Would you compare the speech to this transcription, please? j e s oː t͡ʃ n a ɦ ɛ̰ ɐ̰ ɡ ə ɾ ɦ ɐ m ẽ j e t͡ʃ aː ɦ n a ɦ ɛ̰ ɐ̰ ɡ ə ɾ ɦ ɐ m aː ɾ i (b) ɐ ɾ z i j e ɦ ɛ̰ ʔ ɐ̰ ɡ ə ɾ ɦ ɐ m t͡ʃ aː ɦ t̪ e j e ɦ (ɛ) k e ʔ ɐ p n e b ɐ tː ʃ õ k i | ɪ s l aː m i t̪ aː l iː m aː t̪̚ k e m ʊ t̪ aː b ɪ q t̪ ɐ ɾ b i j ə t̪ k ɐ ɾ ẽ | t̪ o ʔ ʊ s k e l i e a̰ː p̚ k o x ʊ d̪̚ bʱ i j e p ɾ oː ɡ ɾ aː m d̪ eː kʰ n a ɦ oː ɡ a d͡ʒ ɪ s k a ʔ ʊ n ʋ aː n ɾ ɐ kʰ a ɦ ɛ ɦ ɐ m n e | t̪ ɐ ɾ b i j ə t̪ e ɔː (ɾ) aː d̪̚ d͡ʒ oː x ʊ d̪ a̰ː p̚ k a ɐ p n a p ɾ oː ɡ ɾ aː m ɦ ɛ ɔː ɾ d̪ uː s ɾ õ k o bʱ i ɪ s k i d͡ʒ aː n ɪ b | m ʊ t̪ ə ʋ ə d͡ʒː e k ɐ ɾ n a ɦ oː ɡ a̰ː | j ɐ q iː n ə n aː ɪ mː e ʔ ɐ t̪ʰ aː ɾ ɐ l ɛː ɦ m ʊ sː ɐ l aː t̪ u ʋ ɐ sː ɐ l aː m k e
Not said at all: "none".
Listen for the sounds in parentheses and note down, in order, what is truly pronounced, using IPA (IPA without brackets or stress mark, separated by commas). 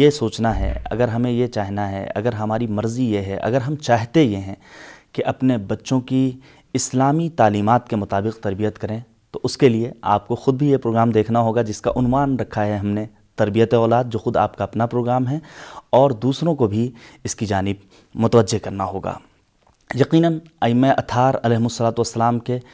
m, ɛ̃, l